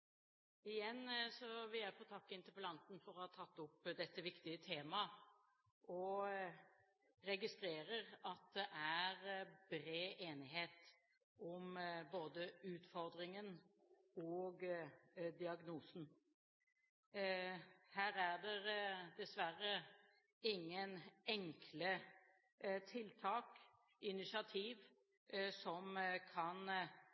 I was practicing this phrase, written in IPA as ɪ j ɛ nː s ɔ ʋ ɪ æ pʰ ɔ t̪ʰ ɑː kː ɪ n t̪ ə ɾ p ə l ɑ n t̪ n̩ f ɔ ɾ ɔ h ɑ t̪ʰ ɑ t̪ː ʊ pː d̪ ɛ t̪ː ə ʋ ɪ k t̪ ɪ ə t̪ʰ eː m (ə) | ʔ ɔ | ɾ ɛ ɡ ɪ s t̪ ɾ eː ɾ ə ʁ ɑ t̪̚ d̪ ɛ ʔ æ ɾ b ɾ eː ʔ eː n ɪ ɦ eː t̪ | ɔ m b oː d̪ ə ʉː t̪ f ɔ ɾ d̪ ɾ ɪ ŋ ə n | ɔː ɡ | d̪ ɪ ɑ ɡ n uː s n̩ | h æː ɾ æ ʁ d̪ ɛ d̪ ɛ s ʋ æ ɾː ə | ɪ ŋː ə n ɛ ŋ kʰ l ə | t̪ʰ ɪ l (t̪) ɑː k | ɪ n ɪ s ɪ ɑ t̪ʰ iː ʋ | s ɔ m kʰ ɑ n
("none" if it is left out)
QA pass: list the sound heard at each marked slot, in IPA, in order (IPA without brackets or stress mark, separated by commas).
ɑ, t̪ʰ